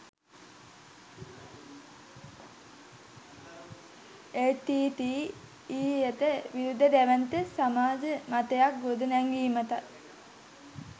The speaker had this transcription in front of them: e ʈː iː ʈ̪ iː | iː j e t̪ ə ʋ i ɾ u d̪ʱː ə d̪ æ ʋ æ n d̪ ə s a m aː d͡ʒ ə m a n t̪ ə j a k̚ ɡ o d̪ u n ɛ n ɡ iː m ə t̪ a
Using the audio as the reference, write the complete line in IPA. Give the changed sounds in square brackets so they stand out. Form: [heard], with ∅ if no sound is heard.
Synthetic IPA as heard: e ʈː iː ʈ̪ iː | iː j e t̪ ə ʋ i ɾ u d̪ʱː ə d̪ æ ʋ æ n [t̪] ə s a m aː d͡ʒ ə m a [∅] t̪ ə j a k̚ ɡ o d̪ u n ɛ [ŋ] ɡ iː m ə t̪ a